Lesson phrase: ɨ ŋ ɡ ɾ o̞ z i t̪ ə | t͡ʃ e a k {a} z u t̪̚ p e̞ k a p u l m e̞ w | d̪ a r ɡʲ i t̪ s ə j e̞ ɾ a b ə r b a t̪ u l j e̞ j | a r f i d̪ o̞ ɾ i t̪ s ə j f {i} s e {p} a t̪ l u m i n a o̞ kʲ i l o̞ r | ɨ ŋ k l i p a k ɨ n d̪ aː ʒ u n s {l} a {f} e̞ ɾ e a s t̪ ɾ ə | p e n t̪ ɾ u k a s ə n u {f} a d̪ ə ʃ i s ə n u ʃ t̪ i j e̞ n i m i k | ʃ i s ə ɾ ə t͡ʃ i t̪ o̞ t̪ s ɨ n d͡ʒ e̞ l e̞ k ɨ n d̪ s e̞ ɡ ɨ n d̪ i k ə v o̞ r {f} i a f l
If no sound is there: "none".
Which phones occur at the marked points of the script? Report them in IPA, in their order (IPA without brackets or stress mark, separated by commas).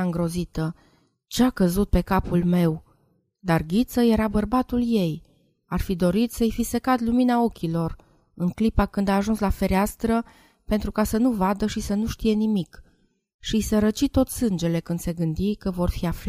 ə, i, k, l, f, v, f